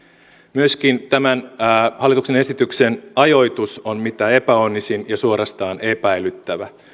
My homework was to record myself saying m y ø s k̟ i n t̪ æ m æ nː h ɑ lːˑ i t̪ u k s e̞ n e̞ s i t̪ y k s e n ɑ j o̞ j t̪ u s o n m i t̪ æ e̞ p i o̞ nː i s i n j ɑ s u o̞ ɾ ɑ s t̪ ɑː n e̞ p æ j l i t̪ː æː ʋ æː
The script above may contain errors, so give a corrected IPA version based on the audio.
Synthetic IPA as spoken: m y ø s k̟ i n t̪ æ m æ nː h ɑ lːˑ i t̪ u k s e̞ n e̞ s i t̪ y k s e n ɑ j o̞ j t̪ u s o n m i t̪ æ e̞ p æ o̞ nː i s i n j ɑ s u o̞ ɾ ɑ s t̪ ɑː n e̞ p æ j l y t̪ː æ ʋ æ